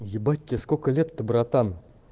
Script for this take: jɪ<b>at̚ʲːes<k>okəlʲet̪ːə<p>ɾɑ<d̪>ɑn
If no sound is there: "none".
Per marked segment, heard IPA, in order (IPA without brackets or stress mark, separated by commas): b, k, b, t̪